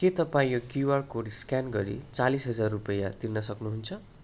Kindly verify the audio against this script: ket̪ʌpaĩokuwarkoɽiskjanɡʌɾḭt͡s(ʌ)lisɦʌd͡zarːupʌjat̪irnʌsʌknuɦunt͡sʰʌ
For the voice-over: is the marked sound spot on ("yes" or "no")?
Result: no